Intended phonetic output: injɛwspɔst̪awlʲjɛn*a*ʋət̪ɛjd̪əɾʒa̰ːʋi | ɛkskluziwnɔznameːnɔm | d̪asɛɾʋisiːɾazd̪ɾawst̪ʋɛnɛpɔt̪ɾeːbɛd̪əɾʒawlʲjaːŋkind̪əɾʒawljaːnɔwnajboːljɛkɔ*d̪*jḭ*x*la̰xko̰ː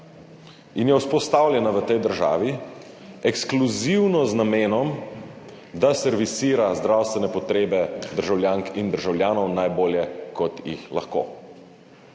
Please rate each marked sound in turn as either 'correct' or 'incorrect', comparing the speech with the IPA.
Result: correct, incorrect, correct

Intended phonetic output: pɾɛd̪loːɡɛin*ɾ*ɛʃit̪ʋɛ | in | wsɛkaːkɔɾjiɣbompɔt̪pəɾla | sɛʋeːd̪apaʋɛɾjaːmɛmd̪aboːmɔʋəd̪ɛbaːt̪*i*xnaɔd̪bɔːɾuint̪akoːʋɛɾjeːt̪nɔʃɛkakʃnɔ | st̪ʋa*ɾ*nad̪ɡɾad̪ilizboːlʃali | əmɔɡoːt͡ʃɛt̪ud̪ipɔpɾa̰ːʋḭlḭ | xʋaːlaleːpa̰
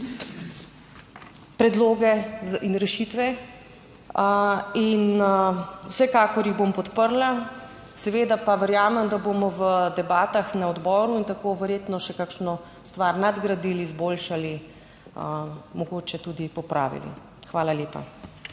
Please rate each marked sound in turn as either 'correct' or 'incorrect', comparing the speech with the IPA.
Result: correct, incorrect, correct

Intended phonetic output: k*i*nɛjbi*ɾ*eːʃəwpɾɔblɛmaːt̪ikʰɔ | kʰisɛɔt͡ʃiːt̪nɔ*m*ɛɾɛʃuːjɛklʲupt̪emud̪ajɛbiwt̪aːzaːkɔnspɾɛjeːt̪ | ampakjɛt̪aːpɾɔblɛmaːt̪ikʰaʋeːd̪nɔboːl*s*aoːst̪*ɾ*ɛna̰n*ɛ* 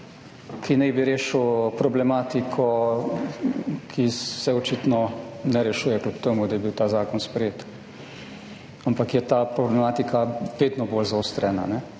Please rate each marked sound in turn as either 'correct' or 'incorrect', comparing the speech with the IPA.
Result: correct, correct, incorrect, incorrect, correct, correct

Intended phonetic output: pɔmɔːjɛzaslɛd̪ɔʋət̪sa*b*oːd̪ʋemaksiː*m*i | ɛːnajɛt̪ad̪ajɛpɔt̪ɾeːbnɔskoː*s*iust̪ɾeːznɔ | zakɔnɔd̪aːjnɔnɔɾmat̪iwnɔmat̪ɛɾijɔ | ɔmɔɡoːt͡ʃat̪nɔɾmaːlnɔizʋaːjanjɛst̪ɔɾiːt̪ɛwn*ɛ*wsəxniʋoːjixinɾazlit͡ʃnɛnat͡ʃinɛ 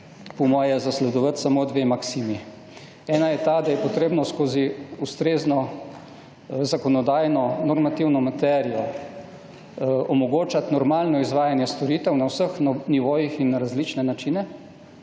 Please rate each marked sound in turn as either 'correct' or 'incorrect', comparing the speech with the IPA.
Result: incorrect, correct, incorrect, incorrect

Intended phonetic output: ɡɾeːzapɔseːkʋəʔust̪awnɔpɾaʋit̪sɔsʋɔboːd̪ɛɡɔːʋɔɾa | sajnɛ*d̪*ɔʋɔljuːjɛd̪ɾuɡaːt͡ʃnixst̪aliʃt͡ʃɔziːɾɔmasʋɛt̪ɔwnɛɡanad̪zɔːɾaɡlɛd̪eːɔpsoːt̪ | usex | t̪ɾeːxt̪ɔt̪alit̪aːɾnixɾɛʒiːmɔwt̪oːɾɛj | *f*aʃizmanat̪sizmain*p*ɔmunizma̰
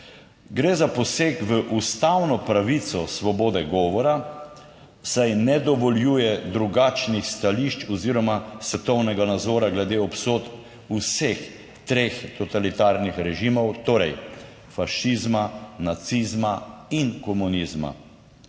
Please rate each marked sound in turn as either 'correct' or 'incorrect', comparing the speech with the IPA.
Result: correct, correct, incorrect

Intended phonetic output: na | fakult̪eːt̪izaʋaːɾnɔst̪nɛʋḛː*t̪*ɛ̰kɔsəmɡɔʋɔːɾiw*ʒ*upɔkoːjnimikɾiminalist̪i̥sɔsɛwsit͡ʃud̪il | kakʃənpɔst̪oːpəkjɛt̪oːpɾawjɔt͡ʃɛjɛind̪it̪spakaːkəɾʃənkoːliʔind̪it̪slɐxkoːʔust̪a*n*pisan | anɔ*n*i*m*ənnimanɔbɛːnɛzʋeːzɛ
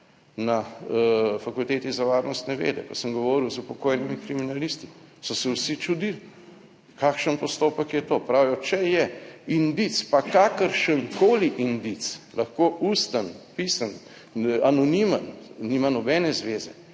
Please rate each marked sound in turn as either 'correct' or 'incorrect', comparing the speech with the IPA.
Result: incorrect, incorrect, correct, correct, correct

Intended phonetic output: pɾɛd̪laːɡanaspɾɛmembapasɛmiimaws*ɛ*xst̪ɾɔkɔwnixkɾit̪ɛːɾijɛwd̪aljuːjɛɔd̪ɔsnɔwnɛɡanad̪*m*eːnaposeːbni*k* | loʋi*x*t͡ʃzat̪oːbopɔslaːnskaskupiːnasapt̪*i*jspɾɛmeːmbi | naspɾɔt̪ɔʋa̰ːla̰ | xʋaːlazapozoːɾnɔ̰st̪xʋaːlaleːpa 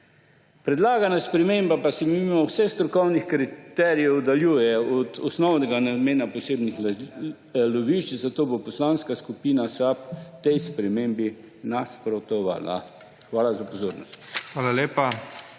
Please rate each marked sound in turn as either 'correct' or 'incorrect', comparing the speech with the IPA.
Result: correct, correct, incorrect, incorrect, incorrect

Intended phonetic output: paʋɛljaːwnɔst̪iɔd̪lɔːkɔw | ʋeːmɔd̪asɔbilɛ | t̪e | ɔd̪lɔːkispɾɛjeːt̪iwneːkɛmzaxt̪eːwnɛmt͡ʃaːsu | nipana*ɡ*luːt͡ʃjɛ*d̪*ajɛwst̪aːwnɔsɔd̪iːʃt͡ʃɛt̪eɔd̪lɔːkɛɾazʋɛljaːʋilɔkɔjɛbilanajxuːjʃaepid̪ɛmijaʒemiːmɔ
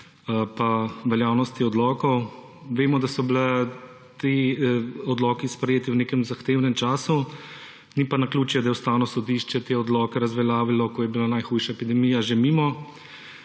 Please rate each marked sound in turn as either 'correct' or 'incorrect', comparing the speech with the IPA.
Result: incorrect, correct

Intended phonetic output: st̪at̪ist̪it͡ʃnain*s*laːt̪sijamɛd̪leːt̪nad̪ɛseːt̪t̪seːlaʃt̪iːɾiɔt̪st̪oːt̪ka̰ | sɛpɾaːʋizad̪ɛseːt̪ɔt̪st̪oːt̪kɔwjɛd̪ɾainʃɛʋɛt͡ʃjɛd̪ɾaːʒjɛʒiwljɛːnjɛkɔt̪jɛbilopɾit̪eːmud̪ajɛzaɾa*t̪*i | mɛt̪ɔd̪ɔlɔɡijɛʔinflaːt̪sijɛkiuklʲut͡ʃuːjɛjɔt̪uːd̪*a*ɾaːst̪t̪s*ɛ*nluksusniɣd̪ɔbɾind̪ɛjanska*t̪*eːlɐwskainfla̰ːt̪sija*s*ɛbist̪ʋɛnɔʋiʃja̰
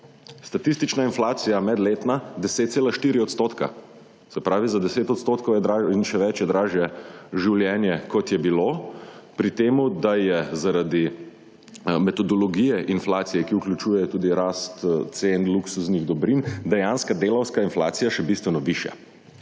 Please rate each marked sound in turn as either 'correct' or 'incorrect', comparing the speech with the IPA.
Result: incorrect, incorrect, incorrect, incorrect, incorrect, incorrect

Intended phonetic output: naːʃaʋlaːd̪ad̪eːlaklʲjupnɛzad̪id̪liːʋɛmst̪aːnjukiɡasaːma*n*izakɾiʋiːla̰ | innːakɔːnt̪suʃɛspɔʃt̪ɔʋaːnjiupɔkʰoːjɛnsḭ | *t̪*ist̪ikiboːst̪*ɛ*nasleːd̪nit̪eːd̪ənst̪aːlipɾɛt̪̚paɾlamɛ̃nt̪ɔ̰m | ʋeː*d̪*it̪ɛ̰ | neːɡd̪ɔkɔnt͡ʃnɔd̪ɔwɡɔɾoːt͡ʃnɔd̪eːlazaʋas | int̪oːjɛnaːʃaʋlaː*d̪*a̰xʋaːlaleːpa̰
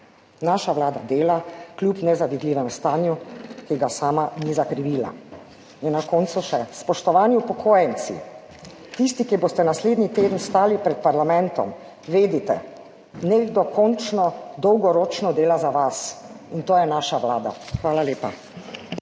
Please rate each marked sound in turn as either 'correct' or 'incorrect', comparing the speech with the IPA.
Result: correct, correct, correct, correct, correct

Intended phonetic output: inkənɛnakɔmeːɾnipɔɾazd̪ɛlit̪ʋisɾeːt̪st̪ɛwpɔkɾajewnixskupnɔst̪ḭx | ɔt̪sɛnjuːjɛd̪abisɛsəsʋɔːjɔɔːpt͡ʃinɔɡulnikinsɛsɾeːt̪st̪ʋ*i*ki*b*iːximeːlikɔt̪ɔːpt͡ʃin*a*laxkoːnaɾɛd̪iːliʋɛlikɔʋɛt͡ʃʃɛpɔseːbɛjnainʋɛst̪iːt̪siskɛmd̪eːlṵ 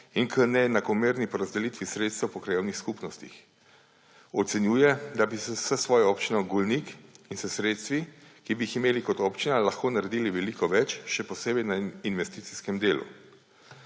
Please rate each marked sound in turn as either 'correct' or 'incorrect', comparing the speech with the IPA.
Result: correct, correct, correct

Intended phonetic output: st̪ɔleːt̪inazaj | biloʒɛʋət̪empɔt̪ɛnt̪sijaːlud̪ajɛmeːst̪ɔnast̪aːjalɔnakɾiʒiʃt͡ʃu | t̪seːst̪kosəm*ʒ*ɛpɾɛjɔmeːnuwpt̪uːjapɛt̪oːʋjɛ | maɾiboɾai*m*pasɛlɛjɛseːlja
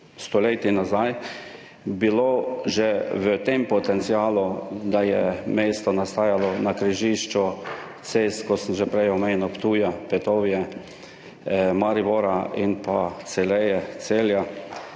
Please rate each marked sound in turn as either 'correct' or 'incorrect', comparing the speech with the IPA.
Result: correct, incorrect

